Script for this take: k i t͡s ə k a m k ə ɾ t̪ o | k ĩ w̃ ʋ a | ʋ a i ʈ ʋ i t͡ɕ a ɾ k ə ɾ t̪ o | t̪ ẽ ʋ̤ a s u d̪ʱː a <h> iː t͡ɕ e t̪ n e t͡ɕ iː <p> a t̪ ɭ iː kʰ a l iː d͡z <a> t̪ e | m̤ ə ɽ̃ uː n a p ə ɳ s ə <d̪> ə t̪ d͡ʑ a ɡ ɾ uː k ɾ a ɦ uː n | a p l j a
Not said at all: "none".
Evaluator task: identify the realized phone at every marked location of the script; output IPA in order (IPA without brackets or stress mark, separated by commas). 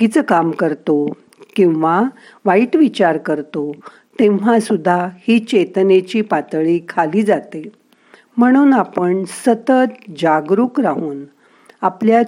h, p, a, t̪